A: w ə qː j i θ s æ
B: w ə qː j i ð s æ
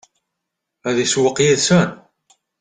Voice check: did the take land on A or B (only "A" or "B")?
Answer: B